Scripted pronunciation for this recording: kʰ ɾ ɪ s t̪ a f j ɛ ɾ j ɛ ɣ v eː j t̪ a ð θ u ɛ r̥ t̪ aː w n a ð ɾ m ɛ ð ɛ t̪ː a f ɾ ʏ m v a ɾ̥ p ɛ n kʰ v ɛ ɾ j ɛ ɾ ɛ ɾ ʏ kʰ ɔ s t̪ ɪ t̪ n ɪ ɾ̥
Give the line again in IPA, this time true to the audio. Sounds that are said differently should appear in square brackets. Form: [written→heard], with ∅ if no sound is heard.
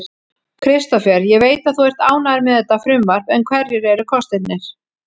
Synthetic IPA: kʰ ɾ ɪ s t̪ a f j ɛ ɾ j ɛ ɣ v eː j t̪ a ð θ u ɛ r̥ t̪ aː w n a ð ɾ m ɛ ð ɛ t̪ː a f ɾ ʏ m v a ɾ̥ p ɛ n kʰ v ɛ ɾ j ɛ ɾ ɛ ɾ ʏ kʰ ɔ s t̪ ɪ t̪ n ɪ ɾ̥